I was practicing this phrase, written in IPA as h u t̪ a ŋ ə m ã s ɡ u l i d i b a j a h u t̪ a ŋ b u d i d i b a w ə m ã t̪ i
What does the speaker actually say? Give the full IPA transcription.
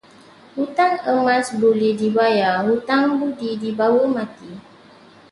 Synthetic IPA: h u t̪ a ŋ ə m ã s b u l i d i b a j a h u t̪ a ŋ b u d i d i b a w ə m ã t̪ i